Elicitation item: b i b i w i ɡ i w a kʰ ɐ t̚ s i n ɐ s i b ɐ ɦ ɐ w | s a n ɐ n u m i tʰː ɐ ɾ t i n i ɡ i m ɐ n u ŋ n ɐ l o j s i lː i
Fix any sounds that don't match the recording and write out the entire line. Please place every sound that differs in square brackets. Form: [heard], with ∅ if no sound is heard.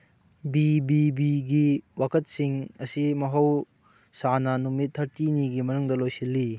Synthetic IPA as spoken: b i b i [b] i ɡ i w a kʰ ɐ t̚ s i [ŋ] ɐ s i [m] ɐ ɦ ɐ w | s a n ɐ n u m i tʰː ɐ ɾ t i n i ɡ i m ɐ n u ŋ [d] ɐ l o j s i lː i